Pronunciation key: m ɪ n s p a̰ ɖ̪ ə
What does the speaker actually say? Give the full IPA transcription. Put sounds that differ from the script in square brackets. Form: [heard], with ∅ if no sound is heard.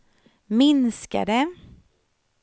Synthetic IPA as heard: m ɪ n s [k] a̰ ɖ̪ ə